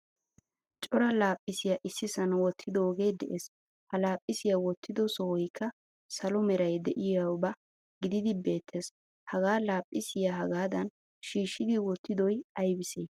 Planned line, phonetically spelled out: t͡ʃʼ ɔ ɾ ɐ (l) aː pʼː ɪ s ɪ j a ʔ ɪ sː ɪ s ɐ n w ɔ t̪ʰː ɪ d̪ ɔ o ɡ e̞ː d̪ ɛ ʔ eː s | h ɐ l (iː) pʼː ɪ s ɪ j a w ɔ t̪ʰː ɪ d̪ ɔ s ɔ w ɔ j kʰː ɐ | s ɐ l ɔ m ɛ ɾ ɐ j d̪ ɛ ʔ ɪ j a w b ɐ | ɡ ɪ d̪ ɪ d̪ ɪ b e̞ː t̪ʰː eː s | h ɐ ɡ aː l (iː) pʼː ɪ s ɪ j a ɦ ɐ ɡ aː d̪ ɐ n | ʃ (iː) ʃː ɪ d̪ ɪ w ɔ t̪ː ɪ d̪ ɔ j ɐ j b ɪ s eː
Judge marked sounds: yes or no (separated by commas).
yes, no, no, yes